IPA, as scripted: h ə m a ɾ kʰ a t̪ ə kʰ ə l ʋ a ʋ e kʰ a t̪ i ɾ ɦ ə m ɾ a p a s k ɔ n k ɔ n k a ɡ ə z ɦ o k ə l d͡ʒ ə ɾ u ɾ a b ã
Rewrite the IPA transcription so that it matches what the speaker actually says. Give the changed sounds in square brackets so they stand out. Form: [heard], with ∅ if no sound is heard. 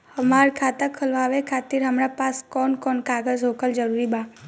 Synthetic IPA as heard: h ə m a ɾ kʰ a t̪ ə kʰ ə l ʋ a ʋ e kʰ a t̪ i ɾ ɦ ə m ɾ a p a s k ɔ n k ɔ n k a ɡ ə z ɦ o k ə l d͡ʒ ə ɾ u ɾ [i] b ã